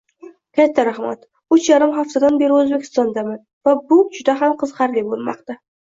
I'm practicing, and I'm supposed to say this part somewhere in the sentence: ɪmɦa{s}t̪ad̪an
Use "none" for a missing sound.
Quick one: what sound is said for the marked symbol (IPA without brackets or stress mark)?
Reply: f